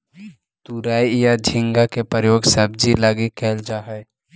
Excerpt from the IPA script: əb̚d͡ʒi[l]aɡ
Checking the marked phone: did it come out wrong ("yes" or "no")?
no